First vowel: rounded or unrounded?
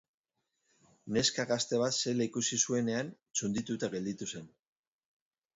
unrounded